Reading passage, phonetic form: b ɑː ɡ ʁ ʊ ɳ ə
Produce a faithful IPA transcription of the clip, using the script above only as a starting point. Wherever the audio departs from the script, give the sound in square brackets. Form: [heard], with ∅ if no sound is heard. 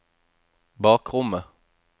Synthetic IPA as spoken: b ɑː [k] ʁ ʊ [m] ə